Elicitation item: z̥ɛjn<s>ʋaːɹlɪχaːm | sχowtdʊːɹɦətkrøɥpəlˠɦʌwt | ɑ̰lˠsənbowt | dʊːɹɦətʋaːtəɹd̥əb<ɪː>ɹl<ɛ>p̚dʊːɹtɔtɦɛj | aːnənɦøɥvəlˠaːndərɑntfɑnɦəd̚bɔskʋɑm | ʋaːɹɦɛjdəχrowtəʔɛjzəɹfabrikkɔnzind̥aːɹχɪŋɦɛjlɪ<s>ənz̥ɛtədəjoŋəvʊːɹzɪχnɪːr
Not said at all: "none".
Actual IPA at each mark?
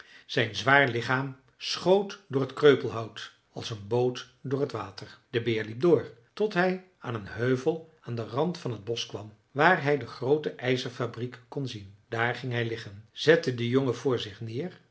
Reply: z, ɪː, i, χ

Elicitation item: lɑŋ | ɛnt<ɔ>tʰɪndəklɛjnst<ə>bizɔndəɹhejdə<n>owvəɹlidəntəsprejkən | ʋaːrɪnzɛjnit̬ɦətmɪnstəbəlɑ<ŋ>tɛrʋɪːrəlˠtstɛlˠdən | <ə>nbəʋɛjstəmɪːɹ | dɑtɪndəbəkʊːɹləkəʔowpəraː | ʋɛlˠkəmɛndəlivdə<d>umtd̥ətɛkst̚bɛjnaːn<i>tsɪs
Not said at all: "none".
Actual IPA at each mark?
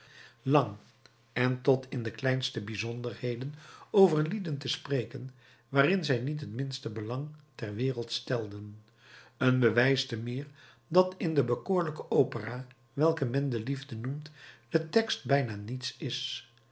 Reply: ɔ, ə, n, ŋ, ə, n, i

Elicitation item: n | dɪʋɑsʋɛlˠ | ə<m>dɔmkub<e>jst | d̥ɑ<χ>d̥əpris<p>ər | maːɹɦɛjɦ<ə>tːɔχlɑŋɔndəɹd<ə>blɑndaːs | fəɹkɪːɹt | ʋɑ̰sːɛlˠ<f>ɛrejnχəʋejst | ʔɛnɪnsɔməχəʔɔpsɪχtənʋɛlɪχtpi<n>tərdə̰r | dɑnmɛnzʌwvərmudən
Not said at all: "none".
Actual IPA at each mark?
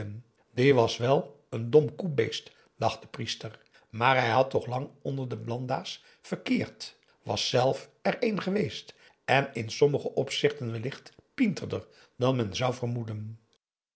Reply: n, e, χ, t, ɑ, ə, f, n

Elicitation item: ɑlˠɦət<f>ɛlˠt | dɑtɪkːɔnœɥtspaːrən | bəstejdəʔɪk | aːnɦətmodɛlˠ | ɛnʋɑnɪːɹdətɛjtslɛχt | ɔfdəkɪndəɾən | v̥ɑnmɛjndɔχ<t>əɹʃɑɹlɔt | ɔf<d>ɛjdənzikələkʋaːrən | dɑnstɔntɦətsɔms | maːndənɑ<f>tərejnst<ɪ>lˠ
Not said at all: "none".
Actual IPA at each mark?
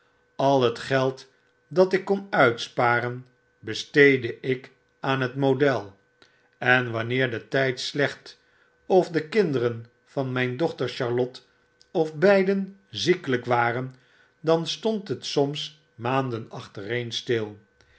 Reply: χ, t, b, χ, ɪ

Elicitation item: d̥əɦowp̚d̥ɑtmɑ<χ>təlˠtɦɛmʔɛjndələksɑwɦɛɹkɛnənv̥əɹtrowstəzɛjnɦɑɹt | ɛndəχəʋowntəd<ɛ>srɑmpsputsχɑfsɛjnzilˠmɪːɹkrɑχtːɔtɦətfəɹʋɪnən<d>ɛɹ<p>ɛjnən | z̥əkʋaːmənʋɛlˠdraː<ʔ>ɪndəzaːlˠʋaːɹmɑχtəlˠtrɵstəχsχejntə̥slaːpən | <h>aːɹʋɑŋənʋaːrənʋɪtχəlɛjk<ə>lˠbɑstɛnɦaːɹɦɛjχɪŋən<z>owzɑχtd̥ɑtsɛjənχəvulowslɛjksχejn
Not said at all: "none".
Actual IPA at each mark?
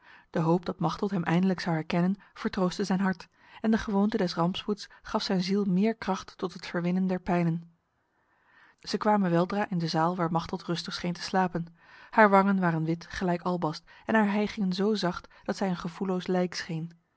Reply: χ, ɛ, d, p, ʔ, h, ɑ, z

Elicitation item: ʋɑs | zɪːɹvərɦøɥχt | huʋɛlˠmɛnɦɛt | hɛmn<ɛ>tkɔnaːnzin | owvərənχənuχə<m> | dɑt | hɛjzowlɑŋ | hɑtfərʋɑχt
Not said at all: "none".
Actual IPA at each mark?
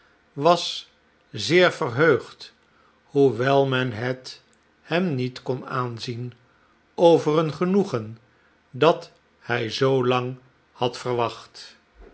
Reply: i, n

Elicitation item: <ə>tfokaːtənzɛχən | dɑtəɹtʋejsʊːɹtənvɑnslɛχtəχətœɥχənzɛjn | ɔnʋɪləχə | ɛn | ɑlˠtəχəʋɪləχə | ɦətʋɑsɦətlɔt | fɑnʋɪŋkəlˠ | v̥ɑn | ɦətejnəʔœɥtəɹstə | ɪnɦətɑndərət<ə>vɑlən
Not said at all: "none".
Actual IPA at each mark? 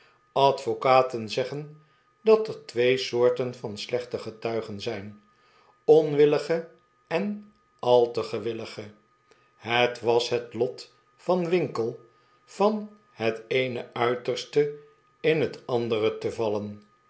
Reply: ɑ, ə

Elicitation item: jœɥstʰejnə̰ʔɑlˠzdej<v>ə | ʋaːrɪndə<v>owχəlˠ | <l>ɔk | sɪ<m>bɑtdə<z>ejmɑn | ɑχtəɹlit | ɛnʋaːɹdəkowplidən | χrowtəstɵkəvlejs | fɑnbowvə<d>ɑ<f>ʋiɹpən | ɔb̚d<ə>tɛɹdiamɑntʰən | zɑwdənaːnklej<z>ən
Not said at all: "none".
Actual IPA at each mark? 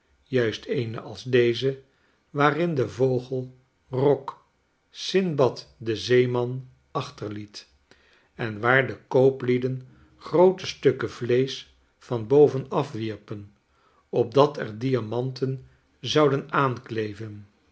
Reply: z, v, r, n, z, n, f, ɑ, v

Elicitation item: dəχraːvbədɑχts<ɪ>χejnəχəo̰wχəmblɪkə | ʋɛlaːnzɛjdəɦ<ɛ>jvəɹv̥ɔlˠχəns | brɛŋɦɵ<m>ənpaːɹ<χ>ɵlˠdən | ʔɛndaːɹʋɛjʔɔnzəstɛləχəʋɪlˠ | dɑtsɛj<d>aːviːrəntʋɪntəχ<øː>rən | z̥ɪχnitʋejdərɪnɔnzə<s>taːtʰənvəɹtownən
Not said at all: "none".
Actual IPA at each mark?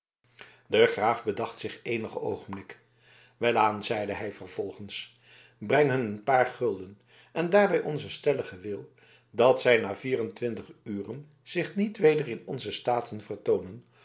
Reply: ɪ, ɛ, n, χ, n, yː, s

